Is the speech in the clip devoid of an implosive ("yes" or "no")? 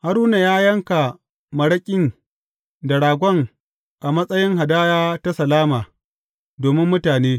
yes